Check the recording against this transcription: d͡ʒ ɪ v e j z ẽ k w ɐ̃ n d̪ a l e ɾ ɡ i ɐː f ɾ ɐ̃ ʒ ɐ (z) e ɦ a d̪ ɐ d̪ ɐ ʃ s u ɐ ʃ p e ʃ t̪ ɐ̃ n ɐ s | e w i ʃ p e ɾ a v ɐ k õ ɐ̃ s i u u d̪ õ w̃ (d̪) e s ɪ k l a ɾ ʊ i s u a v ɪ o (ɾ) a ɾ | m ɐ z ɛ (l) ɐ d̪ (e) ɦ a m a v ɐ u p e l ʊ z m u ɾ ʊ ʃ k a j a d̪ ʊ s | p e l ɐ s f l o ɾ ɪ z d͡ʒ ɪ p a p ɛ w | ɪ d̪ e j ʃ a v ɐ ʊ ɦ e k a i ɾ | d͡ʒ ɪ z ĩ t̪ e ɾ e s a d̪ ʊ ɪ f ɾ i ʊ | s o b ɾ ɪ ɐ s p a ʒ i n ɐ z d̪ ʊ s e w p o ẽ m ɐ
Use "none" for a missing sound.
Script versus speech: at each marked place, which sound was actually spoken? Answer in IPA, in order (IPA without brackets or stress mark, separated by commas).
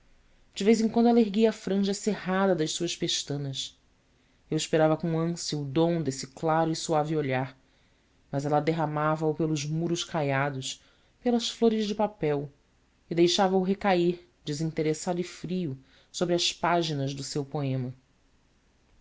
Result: s, d̪, ʎ, l, e